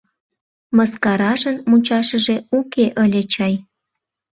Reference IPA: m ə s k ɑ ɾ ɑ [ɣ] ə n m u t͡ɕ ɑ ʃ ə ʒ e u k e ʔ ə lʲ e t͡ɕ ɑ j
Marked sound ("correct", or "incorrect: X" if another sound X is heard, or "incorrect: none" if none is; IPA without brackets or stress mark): incorrect: ʒ